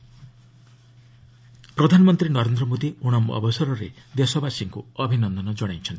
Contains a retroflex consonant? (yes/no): yes